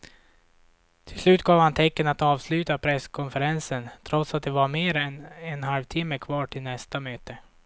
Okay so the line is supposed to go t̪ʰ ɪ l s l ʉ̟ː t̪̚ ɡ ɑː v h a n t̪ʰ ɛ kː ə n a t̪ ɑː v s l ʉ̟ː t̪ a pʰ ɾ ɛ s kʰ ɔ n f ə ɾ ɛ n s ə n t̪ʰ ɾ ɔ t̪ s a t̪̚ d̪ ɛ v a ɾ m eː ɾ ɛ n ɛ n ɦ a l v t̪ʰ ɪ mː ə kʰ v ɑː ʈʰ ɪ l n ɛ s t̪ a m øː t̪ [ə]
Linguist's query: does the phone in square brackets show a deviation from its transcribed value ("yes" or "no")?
no